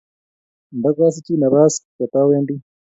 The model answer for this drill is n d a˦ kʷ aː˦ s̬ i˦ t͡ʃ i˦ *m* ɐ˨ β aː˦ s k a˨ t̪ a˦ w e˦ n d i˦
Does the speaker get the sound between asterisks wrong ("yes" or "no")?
yes